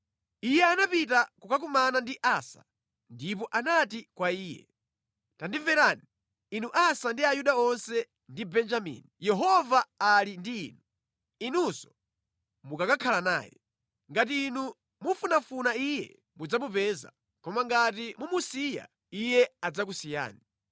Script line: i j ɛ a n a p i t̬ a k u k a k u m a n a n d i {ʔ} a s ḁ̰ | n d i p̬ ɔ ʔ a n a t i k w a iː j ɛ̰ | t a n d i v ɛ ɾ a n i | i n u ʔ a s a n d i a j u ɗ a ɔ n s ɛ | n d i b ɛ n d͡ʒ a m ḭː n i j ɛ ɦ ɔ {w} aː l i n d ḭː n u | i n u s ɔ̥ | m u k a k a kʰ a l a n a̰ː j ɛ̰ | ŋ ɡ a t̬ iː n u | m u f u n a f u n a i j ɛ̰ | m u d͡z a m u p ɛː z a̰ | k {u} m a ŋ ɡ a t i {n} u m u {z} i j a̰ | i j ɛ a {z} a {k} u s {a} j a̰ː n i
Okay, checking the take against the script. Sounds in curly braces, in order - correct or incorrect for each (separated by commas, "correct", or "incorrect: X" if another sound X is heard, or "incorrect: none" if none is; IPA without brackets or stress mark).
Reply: correct, incorrect: v, incorrect: ɔ, incorrect: m, incorrect: s, incorrect: d͡z, correct, incorrect: i